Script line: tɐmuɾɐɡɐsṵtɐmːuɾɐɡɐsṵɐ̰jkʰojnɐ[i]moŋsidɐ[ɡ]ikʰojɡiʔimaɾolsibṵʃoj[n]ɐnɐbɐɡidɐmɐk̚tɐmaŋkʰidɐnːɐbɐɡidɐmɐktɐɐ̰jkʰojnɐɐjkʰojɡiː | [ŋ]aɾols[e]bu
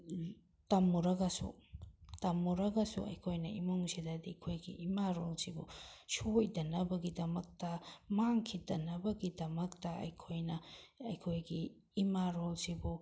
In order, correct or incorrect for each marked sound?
correct, incorrect: d, incorrect: d, incorrect: m, incorrect: i

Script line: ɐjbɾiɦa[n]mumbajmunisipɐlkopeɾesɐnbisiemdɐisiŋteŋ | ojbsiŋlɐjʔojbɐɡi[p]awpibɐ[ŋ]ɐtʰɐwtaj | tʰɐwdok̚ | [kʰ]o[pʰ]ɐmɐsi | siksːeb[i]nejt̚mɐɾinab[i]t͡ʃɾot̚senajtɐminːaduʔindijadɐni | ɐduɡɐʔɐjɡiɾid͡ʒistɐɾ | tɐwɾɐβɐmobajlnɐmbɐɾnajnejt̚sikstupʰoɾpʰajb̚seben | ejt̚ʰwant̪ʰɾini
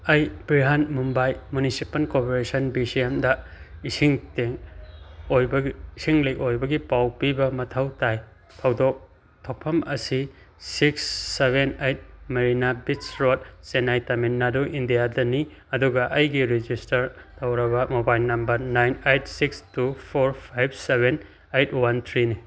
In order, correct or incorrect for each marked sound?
correct, correct, incorrect: m, incorrect: tʰ, correct, incorrect: e, correct

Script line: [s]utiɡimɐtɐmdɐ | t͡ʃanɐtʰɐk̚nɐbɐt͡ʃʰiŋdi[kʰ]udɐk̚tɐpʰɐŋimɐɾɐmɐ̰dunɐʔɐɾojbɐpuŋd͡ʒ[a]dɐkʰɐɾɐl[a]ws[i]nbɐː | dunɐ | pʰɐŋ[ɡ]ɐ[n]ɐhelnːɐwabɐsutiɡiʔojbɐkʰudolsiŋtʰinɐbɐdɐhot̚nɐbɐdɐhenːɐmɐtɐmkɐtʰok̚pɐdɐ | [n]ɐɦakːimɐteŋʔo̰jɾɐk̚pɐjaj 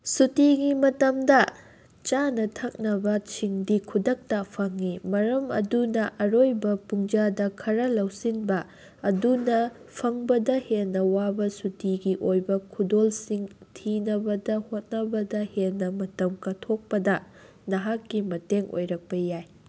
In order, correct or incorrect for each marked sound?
correct, correct, correct, incorrect: ɐ, correct, incorrect: b, incorrect: d, correct

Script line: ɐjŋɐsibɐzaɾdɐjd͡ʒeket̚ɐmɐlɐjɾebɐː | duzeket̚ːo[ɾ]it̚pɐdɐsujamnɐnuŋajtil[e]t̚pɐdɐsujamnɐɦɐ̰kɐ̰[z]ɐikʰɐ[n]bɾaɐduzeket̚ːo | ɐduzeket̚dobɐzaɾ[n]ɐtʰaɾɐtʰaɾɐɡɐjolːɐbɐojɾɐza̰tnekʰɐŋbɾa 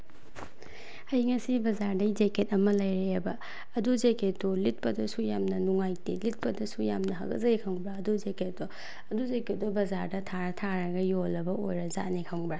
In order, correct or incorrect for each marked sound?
incorrect: l, incorrect: i, correct, incorrect: ŋ, incorrect: d

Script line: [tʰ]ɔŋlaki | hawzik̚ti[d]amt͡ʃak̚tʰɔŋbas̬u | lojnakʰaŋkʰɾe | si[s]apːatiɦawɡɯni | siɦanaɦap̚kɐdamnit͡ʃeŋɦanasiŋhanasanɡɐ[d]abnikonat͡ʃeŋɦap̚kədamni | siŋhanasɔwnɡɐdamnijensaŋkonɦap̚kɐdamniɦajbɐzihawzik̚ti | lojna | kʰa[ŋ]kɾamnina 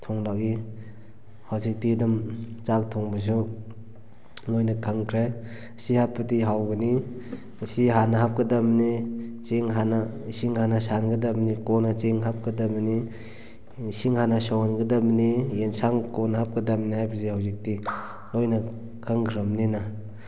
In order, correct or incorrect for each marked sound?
correct, correct, incorrect: h, correct, correct

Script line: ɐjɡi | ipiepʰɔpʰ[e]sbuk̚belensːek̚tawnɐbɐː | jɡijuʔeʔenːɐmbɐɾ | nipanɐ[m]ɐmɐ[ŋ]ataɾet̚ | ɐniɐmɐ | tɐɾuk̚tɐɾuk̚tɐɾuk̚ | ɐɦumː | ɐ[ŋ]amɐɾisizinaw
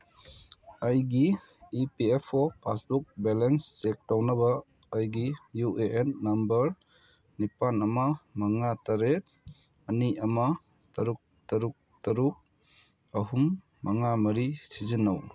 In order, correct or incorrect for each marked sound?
incorrect: a, correct, correct, correct

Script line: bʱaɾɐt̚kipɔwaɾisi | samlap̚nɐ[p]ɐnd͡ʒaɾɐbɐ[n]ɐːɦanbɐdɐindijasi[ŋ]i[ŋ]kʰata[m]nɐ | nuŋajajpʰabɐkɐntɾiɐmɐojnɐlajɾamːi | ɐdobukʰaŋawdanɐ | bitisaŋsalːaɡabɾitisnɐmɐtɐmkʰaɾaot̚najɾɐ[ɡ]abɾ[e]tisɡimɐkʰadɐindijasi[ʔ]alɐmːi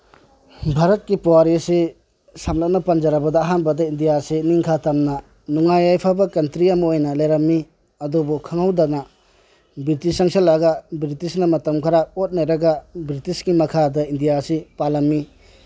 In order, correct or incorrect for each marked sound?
correct, incorrect: d, incorrect: n, correct, correct, correct, incorrect: i, incorrect: p

